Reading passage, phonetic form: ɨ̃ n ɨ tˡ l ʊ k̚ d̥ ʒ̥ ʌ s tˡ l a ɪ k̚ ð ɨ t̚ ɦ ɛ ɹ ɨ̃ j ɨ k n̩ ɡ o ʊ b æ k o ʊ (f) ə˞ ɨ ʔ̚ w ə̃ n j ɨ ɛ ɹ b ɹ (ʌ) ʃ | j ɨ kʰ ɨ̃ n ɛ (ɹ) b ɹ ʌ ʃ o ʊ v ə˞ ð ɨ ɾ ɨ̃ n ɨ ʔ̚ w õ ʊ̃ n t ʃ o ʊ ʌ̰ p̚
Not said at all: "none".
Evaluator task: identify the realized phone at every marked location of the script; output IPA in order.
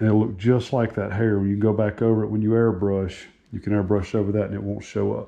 v, ʌ, ɹ

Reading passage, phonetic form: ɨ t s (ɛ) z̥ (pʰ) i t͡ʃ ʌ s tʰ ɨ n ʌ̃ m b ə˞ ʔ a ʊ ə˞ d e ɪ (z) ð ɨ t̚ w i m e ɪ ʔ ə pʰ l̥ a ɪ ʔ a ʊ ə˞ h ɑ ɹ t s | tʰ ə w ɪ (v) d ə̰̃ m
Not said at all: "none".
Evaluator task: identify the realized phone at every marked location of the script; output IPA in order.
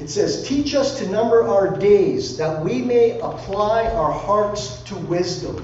ɛ, tʰ, z, z

